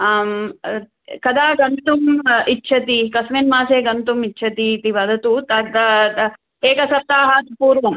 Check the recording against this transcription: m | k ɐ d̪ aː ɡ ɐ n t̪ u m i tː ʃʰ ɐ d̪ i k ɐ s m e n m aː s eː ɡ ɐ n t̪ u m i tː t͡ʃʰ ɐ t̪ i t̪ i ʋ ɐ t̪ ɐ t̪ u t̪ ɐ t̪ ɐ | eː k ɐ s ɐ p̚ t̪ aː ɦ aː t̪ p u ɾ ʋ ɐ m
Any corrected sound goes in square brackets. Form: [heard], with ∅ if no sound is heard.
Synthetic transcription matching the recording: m | k ɐ d̪ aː ɡ ɐ n t̪ u m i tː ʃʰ ɐ [t̪] i k ɐ s m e n m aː s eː ɡ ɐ n t̪ u m i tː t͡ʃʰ ɐ t̪ i t̪ i ʋ ɐ [d̪] ɐ t̪ u t̪ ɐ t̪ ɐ | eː k ɐ s ɐ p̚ t̪ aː ɦ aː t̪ p [uː] ɾ ʋ ɐ m